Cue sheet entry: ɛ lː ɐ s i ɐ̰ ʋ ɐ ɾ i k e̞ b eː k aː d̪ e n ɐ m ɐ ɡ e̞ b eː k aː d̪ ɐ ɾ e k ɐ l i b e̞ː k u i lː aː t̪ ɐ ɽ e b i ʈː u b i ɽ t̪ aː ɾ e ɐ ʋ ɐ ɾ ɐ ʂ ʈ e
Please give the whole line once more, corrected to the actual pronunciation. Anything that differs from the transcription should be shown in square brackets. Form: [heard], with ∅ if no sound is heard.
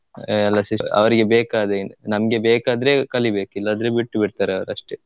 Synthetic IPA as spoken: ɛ lː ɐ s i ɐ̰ ʋ ɐ ɾ i [ɡ] e̞ b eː k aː d̪ e n ɐ m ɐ ɡ e̞ b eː k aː d̪ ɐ ɾ e k ɐ l i b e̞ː k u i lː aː [d̪] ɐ [ɾ] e b i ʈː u b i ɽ t̪ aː ɾ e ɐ ʋ ɐ ɾ ɐ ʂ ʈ e